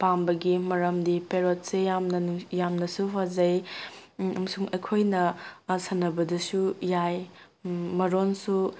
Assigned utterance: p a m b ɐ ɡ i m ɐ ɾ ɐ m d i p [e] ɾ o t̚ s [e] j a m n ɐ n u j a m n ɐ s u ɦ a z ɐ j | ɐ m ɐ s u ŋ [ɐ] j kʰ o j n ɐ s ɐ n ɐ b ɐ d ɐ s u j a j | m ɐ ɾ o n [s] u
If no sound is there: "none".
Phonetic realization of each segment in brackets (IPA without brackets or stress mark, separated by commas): e, e, ɐ, s